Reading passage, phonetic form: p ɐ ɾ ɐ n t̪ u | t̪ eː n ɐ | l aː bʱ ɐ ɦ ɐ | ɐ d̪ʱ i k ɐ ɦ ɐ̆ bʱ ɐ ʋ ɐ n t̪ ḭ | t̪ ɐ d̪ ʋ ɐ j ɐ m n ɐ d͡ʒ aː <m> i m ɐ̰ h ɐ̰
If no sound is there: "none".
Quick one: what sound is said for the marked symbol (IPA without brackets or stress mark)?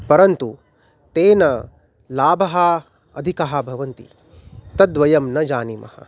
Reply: n